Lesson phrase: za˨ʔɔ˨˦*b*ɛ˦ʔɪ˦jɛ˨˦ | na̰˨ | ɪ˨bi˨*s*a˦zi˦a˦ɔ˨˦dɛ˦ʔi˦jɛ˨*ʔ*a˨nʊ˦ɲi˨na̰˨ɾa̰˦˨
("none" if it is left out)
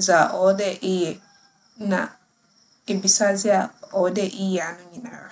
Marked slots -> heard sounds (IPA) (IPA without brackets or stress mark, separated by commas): d, s, none